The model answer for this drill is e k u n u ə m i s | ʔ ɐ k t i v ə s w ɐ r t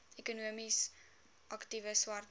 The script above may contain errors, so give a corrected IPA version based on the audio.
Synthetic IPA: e k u n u ə m i s | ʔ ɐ k t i v ə s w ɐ r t